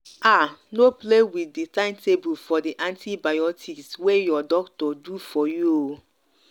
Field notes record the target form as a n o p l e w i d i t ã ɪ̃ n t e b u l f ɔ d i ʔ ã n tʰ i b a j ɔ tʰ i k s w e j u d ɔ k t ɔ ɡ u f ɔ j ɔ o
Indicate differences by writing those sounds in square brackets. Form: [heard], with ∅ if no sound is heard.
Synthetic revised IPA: a n o p l e w i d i t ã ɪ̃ n t e b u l f ɔ d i ʔ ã n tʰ i b a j ɔ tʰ i k s w e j [ɔ] d ɔ k t ɔ [d] u f ɔ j [u] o

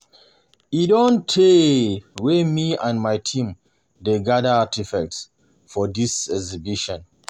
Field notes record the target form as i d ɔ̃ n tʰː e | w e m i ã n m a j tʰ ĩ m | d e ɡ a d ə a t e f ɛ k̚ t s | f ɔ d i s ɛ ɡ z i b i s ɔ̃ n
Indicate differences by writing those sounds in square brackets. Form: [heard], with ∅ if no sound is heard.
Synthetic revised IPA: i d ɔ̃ n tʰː e | w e m i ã n m a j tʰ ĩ m | d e ɡ a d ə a t [i] f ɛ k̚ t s | f ɔ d i s ɛ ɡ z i b i [ʃ] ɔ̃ n

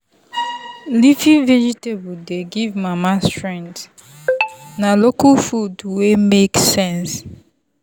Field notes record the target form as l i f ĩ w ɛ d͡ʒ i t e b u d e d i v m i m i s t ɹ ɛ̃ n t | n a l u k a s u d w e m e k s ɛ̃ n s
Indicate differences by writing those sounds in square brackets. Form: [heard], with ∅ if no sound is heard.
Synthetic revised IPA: l i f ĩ [v] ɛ d͡ʒ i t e b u d e [ɡ] i v m [a] m [a] s t ɹ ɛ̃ n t | n a l [o] k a [f] u d w e m e k s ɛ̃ n s

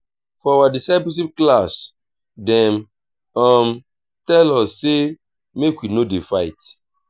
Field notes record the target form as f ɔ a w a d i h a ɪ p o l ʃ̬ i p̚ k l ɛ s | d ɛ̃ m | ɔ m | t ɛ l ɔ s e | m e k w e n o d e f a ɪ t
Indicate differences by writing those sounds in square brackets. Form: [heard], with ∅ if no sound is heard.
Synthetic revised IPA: f ɔ a w a d i [s] a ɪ p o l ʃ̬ i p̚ k l [a] s | d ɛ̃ m | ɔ m | t ɛ l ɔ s e | m e k w [i] n o d e f a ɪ t

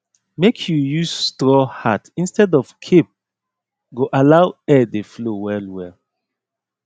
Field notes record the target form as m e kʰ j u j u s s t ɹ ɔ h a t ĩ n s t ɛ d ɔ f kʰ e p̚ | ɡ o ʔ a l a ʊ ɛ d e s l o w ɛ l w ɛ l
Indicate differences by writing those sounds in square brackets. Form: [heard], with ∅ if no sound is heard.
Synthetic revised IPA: m e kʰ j u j u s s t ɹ ɔ h a t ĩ n s t ɛ d ɔ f kʰ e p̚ | ɡ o ʔ a l a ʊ ɛ d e [f] l o w ɛ l w ɛ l

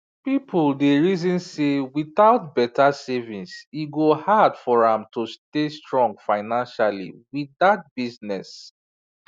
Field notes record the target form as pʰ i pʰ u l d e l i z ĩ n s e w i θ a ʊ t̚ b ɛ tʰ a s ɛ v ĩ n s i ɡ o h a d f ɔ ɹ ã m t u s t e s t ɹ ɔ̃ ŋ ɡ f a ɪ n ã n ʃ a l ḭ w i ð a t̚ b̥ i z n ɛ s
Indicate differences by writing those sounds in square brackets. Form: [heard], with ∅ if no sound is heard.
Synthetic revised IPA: [p] i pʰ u l d e [ɹ] i z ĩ n s e w i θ a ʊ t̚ b ɛ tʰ a s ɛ v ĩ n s i ɡ o h a d f ɔ ɹ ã m t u s t e s t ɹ ɔ̃ ŋ ɡ f a ɪ n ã n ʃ a l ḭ w i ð a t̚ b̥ i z n ɛ s

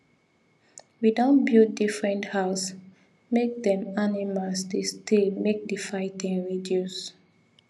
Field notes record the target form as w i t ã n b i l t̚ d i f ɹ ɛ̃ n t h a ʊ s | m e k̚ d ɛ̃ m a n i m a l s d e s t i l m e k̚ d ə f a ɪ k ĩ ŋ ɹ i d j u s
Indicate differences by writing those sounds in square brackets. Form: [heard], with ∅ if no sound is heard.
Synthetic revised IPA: w i [d] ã n b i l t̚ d i f ɹ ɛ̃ n t h a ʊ s | m e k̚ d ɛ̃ m a n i m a l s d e s t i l m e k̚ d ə f a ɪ [t] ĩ ŋ ɹ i d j u s

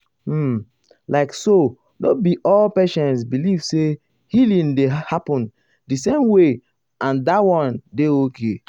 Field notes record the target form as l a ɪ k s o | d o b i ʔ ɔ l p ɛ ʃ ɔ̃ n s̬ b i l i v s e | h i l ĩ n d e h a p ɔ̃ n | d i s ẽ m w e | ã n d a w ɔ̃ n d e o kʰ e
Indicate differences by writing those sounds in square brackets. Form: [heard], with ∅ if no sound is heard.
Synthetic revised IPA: l a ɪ k s o | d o b i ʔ ɔ l p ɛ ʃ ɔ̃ n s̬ b i l i v s e | h i l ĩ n d e h a p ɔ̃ n | d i s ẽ m w e | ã n d a w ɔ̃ n d e o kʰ e

